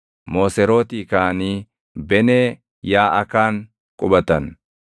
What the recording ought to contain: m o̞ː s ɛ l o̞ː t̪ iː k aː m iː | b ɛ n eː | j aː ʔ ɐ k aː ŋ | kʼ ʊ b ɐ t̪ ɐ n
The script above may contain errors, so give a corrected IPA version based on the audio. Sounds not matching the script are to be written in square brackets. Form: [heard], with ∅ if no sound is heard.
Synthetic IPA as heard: m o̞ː s ɛ [ɾ] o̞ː t̪ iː k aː [n] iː | b ɛ n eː | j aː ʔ ɐ k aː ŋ | kʼ ʊ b ɐ t̪ ɐ n

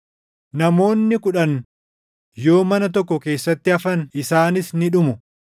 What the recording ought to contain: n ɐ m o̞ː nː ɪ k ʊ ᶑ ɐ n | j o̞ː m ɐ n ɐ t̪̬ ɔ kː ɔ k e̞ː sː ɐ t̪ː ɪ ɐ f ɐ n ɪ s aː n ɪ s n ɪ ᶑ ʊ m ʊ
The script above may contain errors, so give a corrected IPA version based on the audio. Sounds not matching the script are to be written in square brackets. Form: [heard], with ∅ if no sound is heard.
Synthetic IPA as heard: n ɐ m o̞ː nː ɪ k ʊ ᶑ ɐ n | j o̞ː m ɐ n ɐ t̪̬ ɔ kː ɔ k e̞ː sː ɐ t̪ː ɪ ɐ f ɐ n ɪ s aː n ɪ s n ɪ ᶑ ʊ m ʊ

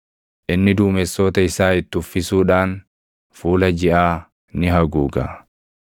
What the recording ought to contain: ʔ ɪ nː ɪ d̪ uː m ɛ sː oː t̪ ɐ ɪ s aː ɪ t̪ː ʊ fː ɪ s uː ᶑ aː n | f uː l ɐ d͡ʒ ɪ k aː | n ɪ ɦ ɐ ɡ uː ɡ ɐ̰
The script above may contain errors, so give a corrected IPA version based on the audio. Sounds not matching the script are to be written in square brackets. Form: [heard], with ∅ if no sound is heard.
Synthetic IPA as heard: ʔ ɪ nː ɪ d̪ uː m ɛ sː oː t̪ ɐ ɪ s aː ɪ t̪ː ʊ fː ɪ s uː ᶑ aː n | f uː l ɐ d͡ʒ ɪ [ʔ] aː | n ɪ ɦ ɐ ɡ uː ɡ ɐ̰

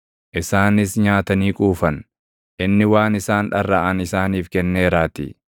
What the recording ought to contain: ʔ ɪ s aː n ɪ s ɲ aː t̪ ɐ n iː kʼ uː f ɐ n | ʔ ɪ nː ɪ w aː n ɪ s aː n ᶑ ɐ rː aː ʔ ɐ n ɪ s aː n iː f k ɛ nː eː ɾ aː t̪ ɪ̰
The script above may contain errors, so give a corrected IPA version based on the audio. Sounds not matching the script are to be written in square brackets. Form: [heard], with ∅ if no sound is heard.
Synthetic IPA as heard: ʔ ɪ s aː n ɪ s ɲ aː t̪ ɐ n iː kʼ uː f ɐ n | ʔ ɪ nː ɪ w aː n ɪ s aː n ᶑ ɐ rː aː ʔ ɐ n ɪ s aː n iː f k ɛ nː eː ɾ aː t̪ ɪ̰

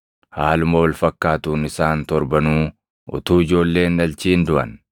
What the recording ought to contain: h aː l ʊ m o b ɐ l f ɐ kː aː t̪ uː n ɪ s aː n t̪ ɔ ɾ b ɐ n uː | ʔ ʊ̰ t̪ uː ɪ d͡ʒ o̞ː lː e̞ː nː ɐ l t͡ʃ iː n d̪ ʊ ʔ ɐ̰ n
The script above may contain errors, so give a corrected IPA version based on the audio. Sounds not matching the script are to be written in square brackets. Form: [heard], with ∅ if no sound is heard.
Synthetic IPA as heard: h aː l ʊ m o [w] ɐ l f ɐ kː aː t̪ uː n ɪ s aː n t̪ ɔ ɾ b ɐ n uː | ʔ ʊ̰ t̪ uː ɪ d͡ʒ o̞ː lː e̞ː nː ɐ l t͡ʃ iː n d̪ ʊ ʔ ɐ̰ n

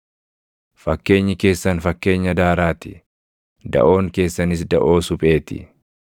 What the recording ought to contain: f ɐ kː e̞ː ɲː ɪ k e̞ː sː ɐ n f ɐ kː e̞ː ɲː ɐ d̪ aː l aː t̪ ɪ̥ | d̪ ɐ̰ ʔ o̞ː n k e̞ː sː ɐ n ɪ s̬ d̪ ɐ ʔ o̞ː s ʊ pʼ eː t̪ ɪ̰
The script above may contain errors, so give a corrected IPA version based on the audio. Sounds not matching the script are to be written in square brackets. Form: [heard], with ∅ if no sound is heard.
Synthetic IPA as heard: f ɐ kː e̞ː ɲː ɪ k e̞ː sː ɐ n f ɐ kː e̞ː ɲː ɐ d̪ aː [ɾ] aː t̪ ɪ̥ | d̪ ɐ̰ ʔ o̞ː [ŋ] k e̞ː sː ɐ n ɪ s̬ d̪ ɐ ʔ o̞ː s ʊ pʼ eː t̪ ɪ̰

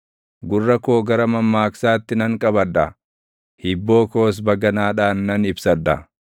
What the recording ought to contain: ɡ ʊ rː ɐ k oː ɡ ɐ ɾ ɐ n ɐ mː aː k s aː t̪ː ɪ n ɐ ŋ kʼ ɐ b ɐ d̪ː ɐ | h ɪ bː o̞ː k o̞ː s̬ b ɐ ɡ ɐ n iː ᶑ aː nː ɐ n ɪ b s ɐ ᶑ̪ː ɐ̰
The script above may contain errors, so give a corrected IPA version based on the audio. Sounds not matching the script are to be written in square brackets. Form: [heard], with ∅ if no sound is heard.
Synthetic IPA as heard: ɡ ʊ rː ɐ k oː ɡ ɐ ɾ ɐ [m] ɐ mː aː k s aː t̪ː ɪ n ɐ ŋ kʼ ɐ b ɐ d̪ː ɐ | h ɪ bː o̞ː k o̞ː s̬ b ɐ ɡ ɐ n [aː] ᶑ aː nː ɐ n ɪ b s ɐ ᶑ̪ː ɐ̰

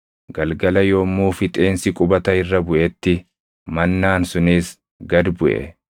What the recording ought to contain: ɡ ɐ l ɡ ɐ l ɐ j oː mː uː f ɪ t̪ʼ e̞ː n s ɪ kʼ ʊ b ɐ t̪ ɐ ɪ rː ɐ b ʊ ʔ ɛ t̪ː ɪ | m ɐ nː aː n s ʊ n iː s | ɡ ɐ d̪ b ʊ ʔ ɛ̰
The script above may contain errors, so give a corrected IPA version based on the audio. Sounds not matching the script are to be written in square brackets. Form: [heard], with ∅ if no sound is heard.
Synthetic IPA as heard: ɡ ɐ l ɡ ɐ l ɐ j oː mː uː f ɪ t̪ʼ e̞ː n s ɪ kʼ ʊ b ɐ t̪ ɐ ɪ rː ɐ b ʊ ʔ ɛ t̪ː ɪ | m ɐ nː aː n s ʊ n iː s | ɡ ɐ d̪ b ʊ ʔ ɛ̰

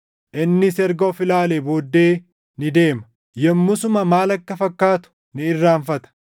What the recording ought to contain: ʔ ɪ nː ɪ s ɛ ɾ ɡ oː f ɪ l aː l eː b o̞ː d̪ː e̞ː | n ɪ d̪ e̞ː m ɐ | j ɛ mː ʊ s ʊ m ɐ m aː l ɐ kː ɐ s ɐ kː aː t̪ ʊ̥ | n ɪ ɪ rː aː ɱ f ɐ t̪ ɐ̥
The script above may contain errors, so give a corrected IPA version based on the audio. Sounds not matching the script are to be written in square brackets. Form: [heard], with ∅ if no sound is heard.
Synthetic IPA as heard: ʔ ɪ nː ɪ s ɛ ɾ ɡ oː f ɪ l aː l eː b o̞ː d̪ː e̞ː | n ɪ d̪ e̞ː m ɐ | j ɛ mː ʊ s ʊ m ɐ m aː l ɐ kː ɐ [f] ɐ kː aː t̪ ʊ̥ | n ɪ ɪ rː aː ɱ f ɐ t̪ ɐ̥

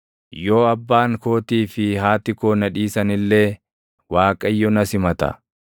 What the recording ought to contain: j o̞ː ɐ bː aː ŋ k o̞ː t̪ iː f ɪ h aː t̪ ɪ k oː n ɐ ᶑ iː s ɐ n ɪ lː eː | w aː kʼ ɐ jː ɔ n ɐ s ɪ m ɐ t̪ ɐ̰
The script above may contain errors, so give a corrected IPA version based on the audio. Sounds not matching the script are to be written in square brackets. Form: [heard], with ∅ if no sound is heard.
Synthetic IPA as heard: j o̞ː ɐ bː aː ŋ k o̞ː t̪ iː f ɪ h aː t̪ ɪ k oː n ɐ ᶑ iː s ɐ n ɪ lː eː | w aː kʼ ɐ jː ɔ n ɐ s ɪ m ɐ t̪ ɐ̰

